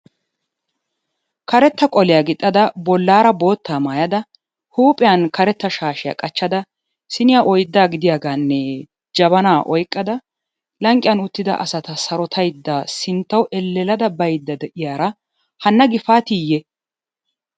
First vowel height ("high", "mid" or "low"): low